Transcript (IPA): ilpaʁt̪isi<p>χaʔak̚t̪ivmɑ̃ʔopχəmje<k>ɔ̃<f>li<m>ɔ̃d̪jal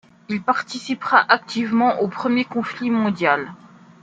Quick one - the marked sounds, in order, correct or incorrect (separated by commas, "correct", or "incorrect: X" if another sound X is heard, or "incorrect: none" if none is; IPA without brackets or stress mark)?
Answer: correct, correct, correct, correct